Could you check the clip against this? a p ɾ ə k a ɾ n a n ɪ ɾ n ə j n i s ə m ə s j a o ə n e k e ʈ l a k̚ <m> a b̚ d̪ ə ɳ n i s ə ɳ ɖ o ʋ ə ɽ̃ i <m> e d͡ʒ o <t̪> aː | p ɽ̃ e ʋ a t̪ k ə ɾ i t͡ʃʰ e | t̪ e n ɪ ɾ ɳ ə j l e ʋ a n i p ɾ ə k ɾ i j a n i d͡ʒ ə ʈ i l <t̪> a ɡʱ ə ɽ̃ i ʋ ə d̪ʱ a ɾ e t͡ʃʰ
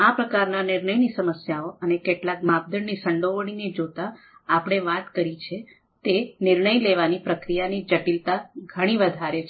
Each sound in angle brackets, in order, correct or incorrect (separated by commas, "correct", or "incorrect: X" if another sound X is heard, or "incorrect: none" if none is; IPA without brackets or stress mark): correct, incorrect: n, correct, correct